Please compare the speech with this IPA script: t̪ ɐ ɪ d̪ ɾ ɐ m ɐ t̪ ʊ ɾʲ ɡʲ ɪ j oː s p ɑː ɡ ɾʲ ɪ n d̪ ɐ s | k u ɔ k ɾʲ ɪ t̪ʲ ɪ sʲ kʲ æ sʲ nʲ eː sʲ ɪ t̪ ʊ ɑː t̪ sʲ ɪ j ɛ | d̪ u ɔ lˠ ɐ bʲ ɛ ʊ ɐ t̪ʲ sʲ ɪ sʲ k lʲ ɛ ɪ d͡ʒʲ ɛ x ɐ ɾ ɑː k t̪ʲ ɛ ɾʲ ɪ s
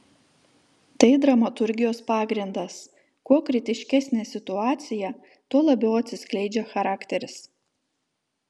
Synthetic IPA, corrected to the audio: t̪ ɐ ɪ d̪ ɾ ɐ m ɐ t̪ ʊ ɾʲ ɡʲ ɪ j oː s p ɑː ɡ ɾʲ ɪ n d̪ ɐ s | k u ɔ k ɾʲ ɪ t̪ʲ ɪ ʃʲ kʲ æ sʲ nʲ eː sʲ ɪ t̪ ʊ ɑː t̪ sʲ ɪ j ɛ | t̪ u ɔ lˠ ɐ bʲ ɛ ʊ ɐ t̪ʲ sʲ ɪ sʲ k lʲ ɛ ɪ d͡ʒʲ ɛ x ɐ ɾ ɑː k t̪ʲ ɛ ɾʲ ɪ s